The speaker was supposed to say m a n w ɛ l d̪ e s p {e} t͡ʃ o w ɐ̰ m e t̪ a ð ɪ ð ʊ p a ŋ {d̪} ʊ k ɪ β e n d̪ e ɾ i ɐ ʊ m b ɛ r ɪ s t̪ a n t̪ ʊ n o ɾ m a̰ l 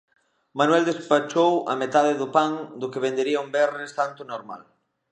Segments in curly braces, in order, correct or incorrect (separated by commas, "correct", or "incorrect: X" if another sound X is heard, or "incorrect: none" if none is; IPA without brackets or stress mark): incorrect: a, correct